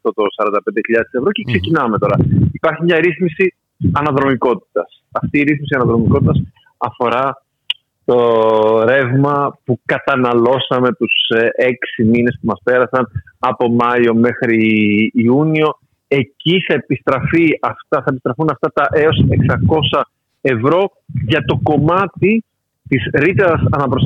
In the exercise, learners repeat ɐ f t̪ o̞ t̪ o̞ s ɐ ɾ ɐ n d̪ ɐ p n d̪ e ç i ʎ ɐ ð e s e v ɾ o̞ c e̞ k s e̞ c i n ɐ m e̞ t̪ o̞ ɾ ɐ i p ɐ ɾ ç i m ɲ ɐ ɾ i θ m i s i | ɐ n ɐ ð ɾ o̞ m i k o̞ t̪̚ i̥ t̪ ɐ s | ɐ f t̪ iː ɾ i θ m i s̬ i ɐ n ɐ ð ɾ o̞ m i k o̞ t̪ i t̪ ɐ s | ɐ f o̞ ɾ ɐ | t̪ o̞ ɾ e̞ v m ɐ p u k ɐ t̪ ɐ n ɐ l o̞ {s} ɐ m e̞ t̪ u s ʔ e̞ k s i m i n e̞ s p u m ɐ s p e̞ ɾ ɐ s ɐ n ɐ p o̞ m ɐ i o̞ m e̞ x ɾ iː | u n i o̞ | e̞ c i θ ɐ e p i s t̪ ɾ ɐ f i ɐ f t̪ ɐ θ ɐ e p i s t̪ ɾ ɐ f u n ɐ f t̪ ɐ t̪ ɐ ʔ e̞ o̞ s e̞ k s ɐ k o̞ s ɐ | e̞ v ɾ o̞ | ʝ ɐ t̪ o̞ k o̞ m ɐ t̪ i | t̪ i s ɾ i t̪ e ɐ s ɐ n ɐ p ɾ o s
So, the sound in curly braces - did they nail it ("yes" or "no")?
yes